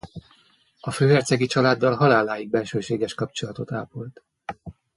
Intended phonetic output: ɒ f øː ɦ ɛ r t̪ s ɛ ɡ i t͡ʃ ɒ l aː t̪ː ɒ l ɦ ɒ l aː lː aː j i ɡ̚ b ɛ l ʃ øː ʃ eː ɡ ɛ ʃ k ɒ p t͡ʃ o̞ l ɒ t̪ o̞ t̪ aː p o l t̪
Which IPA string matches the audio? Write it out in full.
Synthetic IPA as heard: ɒ f øː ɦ ɛ r t̪ s ɛ ɡ i t͡ʃ ɒ l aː d̪ː ɒ l ɦ ɒ l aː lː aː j i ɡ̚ b ɛ l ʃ øː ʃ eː ɡ ɛ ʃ k ɒ p t͡ʃ o̞ l ɒ t̪ o̞ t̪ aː p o l t̪

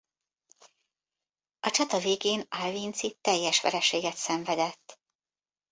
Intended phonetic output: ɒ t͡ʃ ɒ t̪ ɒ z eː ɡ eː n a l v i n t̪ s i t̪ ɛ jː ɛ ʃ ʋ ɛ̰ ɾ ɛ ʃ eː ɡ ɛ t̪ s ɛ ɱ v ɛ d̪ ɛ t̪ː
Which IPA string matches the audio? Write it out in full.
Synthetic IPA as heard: ɒ t͡ʃ ɒ t̪ ɒ v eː ɡ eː n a l v i n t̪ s i t̪ ɛ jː ɛ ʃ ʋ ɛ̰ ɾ ɛ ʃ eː ɡ ɛ t̪ s ɛ ɱ v ɛ d̪ ɛ t̪ː

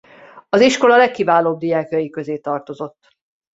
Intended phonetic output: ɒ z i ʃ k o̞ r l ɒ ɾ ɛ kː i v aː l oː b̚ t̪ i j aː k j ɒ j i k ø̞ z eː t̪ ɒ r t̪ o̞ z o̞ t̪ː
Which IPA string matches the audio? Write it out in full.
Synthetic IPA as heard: ɒ z i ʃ k o̞ l ɒ l ɛ kː i v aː l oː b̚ d̪ i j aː k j ɒ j i k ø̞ z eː t̪ ɒ r t̪ o̞ z o̞ t̪ː

